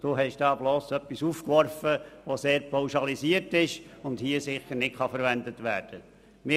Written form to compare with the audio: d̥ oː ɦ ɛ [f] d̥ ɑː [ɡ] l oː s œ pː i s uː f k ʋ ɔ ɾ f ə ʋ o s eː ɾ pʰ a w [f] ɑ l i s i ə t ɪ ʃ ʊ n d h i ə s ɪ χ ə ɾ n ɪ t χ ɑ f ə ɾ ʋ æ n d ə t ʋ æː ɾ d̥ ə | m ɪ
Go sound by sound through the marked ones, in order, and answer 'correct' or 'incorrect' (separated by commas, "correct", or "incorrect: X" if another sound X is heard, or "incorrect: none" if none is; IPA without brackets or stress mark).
incorrect: ʃ, incorrect: b, incorrect: ʃ